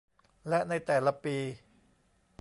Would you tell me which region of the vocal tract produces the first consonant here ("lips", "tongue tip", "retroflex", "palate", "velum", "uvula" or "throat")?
tongue tip